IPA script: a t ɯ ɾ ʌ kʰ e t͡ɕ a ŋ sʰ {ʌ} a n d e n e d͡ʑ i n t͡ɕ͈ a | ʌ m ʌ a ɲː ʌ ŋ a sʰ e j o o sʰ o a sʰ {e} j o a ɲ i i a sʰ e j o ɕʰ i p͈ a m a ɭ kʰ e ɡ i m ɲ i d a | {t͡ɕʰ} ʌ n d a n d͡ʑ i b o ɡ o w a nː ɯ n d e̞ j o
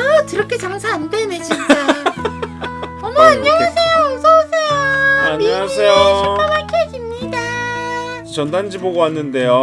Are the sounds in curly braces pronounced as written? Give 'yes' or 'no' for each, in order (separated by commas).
no, yes, no